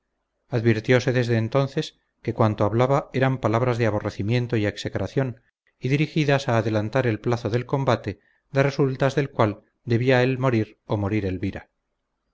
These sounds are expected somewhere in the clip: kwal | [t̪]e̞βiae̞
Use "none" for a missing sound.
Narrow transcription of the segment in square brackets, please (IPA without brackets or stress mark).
d̪